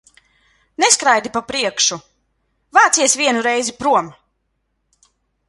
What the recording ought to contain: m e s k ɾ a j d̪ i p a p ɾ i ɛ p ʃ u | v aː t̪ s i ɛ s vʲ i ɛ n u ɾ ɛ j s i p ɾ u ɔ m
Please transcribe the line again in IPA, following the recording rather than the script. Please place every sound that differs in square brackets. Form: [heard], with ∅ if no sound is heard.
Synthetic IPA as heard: [n] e s k ɾ a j d̪ i p a p ɾ i ɛ [k] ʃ u | v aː t̪ s i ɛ s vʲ i ɛ n u ɾ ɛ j [z] i p ɾ u ɔ m